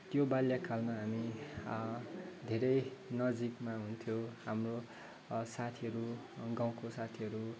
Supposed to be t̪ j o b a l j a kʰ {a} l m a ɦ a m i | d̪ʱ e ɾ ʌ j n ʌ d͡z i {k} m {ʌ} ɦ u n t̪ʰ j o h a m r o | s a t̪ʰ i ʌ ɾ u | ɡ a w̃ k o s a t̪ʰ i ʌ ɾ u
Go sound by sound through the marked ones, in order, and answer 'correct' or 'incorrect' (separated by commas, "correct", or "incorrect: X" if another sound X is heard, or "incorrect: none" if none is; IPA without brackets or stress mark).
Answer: correct, correct, incorrect: a